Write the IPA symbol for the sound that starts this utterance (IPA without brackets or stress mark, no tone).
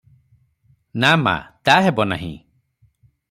n